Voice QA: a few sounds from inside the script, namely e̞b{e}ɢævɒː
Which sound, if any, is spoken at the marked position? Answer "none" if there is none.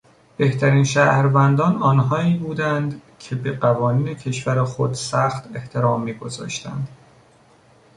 e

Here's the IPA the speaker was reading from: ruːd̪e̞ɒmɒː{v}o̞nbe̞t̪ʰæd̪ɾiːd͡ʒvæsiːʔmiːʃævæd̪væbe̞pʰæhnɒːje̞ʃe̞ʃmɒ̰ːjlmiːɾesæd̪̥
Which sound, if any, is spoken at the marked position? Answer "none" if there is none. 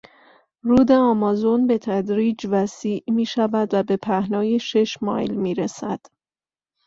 z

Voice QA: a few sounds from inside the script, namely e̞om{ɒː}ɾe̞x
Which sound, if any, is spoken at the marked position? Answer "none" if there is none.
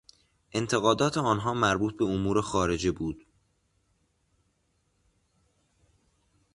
uː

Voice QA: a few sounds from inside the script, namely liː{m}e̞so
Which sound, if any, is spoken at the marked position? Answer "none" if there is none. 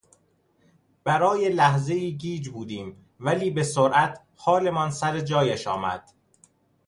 b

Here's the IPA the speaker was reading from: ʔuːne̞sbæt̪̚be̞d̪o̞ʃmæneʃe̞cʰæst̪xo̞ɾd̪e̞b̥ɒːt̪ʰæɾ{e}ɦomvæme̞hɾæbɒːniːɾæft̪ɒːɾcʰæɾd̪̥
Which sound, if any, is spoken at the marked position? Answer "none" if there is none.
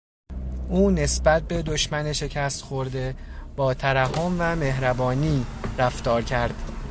æ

